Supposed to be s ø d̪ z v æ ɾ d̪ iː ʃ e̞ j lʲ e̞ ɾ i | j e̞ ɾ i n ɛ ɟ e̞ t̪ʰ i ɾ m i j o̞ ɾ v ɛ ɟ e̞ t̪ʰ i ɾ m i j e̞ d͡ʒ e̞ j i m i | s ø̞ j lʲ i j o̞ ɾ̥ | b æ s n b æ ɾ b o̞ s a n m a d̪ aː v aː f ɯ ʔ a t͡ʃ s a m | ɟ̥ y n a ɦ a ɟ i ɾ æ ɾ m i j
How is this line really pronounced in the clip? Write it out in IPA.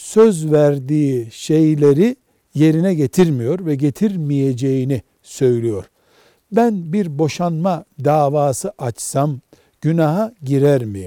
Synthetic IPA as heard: s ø z v æ ɾ d̪ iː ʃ e̞ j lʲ e̞ ɾ i | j e̞ ɾ i n ɛ ɟ e̞ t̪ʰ i ɾ m i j o̞ ɾ v ɛ ɟ e̞ t̪ʰ i ɾ m i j e̞ d͡ʒ e̞ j i n i | s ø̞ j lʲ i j o̞ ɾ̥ | b æ n b i ɾ b o̞ ʃ a n m a d̪ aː v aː s ɯ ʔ a t͡ʃ s a m | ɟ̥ y n a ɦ a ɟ i ɾ æ ɾ m i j